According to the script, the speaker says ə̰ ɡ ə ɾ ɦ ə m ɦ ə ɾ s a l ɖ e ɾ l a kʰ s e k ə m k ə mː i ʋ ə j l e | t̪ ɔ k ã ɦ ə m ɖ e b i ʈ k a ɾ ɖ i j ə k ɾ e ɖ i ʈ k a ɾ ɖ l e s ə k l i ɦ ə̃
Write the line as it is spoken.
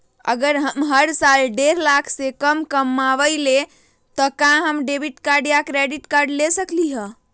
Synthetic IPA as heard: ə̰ ɡ ə ɾ ɦ ə m ɦ ə ɾ s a l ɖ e ɾ l a kʰ s e k ə m k ə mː a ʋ ə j l e | t̪ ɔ k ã ɦ ə m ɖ e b i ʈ k a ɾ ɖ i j a k ɾ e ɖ i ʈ k a ɾ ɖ l e s ə k l i ɦ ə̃